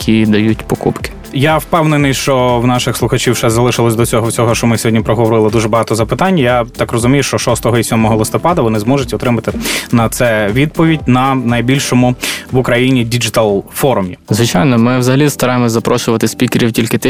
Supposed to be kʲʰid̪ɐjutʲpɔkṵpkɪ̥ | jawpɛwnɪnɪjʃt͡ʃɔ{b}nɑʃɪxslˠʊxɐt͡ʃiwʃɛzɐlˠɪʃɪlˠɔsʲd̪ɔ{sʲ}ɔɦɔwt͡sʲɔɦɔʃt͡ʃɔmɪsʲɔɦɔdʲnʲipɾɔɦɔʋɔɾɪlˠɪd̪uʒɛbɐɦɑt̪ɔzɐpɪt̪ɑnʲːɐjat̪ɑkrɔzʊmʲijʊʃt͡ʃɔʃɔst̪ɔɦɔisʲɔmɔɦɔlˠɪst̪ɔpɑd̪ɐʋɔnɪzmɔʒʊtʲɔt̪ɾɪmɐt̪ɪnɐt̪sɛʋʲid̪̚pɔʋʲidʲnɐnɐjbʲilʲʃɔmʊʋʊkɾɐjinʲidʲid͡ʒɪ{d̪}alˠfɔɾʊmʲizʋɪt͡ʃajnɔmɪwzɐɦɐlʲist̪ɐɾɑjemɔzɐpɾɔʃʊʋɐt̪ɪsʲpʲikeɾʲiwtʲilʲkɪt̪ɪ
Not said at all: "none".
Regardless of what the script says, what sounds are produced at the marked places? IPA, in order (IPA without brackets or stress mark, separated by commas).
w, t͡sʲ, t̪